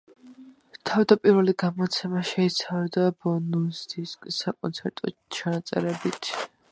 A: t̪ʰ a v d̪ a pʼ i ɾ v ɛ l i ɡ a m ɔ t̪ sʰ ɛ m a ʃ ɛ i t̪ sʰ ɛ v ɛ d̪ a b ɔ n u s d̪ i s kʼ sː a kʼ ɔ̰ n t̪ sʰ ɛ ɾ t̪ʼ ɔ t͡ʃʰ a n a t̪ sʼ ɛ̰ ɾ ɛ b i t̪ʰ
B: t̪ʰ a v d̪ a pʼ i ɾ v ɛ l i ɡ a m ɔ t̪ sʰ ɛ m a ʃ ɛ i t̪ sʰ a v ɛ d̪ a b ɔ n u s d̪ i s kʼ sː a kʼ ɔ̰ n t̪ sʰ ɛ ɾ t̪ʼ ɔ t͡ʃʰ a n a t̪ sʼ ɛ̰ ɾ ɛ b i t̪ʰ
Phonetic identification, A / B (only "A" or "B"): B